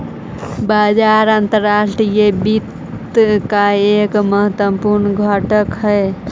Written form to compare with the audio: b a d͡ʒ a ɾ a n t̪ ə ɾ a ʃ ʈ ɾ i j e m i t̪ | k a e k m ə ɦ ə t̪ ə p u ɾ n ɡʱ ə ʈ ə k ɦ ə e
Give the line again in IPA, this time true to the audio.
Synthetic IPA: b a d͡ʒ a ɾ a n t̪ ə ɾ a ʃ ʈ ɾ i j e b i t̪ | k a e k m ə ɦ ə t̪ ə p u ɾ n ɡʱ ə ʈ ə k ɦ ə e